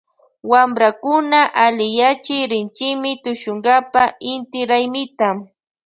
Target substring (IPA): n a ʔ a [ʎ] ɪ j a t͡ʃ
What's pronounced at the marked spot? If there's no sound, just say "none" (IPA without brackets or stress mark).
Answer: l